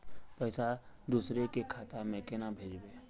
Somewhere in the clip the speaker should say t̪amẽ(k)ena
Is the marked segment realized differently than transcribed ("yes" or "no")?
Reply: no